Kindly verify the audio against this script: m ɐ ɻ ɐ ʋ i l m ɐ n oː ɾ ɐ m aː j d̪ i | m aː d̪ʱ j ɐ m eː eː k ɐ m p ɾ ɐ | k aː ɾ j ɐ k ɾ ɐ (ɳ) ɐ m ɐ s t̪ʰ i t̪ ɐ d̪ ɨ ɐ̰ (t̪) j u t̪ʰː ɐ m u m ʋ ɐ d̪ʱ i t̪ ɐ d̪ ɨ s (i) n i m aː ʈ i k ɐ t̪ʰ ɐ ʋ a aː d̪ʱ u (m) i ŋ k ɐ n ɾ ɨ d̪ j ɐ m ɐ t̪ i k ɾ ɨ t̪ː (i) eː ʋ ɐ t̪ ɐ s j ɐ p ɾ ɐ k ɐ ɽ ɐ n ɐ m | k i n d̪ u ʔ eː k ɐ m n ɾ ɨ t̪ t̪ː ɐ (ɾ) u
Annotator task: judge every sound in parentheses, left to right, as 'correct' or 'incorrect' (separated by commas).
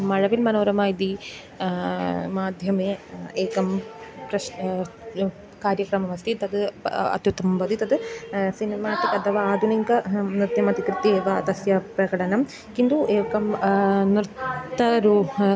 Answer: incorrect, correct, correct, incorrect, correct, correct